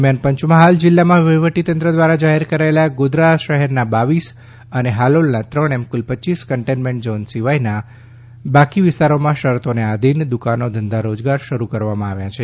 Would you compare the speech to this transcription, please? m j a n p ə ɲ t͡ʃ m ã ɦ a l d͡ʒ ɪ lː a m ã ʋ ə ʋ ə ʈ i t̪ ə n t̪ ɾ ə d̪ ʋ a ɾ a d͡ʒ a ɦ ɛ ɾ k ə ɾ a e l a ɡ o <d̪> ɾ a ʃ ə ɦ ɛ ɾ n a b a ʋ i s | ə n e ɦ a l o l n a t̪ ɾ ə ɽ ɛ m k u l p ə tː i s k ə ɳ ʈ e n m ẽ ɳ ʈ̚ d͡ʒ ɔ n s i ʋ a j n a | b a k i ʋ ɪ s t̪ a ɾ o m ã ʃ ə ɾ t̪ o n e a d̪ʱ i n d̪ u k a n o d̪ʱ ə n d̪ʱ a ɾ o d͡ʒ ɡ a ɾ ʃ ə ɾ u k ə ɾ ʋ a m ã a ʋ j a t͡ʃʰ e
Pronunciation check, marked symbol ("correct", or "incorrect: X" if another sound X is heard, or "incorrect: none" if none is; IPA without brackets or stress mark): correct